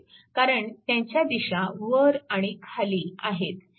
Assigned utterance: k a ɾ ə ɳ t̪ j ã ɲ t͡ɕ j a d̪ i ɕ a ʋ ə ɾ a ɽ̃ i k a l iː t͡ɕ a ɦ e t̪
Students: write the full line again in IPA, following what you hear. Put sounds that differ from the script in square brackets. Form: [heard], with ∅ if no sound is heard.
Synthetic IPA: k a ɾ ə ɳ t̪ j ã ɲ t͡ɕ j a d̪ i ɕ a ʋ ə ɾ a ɽ̃ i [kʰ] a l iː [∅] a ɦ e t̪